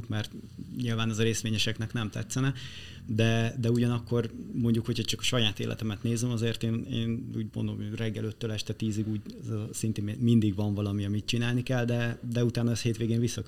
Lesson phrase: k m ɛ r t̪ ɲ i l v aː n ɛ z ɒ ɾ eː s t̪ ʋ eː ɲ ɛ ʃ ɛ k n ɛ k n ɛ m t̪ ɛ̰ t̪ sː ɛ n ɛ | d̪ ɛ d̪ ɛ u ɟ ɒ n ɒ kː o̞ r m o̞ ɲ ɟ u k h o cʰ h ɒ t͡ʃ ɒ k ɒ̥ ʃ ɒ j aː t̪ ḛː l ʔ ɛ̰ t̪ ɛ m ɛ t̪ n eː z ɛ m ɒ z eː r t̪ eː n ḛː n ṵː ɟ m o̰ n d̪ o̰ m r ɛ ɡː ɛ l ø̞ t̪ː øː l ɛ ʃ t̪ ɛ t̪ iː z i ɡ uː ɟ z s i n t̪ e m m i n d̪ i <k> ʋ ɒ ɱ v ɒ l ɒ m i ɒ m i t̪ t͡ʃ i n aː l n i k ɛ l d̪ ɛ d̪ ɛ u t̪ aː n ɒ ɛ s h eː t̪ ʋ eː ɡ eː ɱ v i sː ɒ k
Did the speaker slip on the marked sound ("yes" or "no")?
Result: yes